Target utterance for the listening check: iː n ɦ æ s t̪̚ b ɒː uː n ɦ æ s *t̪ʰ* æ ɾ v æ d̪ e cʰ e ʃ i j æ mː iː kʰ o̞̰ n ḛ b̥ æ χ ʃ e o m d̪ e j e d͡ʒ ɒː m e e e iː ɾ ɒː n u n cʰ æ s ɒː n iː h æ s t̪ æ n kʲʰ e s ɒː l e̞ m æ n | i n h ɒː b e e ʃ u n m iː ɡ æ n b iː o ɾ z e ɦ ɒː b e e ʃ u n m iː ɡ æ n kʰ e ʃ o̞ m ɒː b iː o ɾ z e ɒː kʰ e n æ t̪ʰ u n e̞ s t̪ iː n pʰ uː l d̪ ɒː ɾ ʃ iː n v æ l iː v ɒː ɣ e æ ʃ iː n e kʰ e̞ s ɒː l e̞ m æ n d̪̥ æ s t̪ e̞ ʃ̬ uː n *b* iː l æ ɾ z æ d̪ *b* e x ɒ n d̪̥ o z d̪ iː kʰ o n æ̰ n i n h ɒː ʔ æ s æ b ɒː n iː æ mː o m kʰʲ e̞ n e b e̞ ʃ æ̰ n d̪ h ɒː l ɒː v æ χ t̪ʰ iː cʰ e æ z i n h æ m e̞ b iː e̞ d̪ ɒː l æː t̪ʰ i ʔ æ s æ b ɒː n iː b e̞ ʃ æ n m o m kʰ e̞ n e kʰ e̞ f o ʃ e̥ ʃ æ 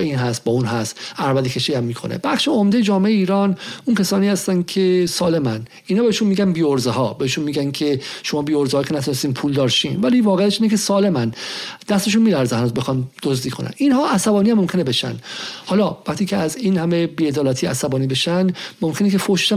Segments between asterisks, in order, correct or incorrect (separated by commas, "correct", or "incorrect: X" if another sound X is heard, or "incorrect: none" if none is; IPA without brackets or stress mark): incorrect: t̪, incorrect: m, correct